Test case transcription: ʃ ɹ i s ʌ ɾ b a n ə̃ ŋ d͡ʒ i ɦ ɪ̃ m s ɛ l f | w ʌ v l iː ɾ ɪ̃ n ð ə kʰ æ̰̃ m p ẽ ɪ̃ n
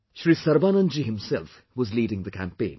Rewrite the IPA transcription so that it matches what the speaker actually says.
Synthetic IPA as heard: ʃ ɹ i s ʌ ɾ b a n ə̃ n d͡ʒ i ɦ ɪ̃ m s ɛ l f | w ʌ z l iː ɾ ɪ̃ ŋ ð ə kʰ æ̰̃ m p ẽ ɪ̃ n